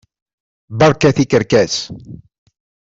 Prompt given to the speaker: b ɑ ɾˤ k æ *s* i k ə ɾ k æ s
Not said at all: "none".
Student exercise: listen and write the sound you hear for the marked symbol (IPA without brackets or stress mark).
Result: θ